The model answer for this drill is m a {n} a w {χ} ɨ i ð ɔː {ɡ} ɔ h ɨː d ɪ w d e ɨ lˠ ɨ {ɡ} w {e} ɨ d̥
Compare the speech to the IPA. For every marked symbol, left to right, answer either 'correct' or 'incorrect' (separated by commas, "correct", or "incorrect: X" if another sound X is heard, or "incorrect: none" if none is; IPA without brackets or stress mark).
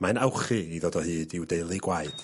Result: correct, correct, incorrect: d, correct, incorrect: a